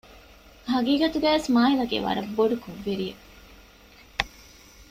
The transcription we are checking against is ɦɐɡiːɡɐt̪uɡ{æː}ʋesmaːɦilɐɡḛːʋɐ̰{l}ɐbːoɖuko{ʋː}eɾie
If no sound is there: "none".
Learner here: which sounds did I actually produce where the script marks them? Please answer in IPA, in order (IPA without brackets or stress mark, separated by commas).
æː, ɾ, ʋː